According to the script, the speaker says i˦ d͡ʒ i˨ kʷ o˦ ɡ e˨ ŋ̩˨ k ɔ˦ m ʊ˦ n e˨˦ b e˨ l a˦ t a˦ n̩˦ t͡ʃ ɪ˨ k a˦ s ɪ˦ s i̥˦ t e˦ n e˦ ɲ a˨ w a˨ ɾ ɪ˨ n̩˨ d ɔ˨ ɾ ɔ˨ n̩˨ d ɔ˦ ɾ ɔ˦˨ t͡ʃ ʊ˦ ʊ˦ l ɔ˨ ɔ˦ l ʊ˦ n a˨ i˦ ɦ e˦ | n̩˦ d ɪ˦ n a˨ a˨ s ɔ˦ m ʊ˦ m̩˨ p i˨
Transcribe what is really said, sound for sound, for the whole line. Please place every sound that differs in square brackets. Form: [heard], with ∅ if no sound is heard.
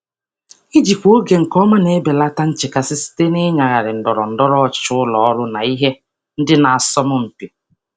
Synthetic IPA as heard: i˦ d͡ʒ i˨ kʷ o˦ ɡ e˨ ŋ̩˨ k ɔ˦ m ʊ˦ n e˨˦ b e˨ l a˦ t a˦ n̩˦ t͡ʃ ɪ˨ k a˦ s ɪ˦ s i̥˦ t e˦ n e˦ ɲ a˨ [ɣ] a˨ ɾ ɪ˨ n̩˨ d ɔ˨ ɾ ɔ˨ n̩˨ d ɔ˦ ɾ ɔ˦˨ t͡ʃ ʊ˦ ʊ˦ l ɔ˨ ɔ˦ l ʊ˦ n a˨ i˦ ɦ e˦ | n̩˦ d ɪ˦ n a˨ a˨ s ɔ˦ m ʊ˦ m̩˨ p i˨